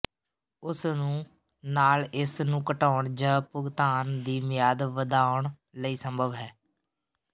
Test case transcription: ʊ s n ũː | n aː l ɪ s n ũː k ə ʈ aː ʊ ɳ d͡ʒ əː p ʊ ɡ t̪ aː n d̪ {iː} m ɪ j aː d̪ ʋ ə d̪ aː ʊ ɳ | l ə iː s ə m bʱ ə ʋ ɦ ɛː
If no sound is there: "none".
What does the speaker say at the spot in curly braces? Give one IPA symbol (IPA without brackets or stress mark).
iː